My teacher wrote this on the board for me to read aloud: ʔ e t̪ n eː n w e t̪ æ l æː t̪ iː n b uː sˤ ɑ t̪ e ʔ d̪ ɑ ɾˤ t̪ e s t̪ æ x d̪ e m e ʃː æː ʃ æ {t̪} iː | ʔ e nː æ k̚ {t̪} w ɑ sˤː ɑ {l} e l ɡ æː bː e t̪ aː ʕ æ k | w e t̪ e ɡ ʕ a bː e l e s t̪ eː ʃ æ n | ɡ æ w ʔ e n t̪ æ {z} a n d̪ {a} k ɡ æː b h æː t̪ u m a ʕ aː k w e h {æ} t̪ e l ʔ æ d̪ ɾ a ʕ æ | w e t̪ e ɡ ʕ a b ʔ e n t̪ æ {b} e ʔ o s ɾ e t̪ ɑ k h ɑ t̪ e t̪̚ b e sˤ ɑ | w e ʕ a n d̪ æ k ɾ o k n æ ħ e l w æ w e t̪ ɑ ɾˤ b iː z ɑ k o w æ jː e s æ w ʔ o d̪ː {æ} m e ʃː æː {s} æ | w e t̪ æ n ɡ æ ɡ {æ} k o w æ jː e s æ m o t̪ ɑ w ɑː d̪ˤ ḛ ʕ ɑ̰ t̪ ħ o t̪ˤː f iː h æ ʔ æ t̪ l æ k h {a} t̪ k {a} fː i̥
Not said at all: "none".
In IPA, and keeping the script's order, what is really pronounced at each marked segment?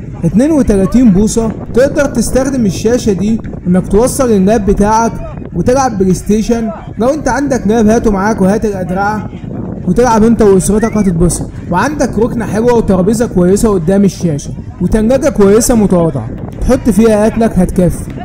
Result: d̪, t̪, l, ʕ, æ, æː, w, æː, ʃ, æ, æ, æ

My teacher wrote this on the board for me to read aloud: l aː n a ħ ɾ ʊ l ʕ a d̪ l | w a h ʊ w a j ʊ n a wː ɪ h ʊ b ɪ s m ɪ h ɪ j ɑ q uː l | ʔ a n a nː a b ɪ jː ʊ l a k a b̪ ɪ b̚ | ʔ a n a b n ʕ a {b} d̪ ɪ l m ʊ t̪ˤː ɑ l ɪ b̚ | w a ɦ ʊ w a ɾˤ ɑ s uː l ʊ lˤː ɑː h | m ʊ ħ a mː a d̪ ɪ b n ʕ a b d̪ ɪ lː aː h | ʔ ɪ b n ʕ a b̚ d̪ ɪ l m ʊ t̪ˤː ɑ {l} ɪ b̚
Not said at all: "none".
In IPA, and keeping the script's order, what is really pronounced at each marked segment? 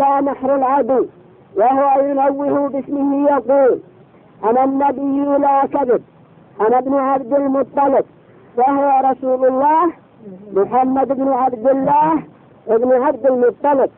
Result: b, l

